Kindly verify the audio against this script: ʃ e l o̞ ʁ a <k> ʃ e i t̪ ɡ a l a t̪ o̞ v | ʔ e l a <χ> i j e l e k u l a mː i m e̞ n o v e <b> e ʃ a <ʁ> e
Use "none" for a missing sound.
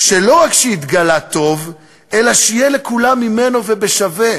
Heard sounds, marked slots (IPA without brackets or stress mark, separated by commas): k, ʃ, b, v